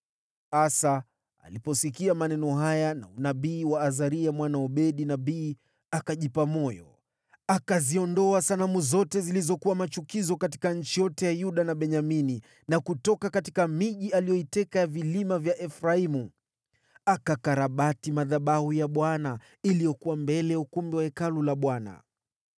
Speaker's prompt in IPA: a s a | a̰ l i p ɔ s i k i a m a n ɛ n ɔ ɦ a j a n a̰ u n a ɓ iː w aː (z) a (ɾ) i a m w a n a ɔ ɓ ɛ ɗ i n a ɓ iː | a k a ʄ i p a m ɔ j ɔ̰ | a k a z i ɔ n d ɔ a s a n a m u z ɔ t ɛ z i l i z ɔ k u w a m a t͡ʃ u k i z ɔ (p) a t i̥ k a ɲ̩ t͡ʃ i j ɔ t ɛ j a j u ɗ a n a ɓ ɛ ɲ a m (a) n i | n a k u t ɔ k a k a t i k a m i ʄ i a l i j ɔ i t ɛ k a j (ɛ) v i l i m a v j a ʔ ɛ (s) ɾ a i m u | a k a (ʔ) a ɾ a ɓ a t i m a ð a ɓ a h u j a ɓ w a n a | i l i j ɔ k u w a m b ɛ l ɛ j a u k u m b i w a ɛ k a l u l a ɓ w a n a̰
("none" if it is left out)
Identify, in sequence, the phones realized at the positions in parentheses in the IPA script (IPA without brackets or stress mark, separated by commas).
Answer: z, ɾ, k, i, a, f, k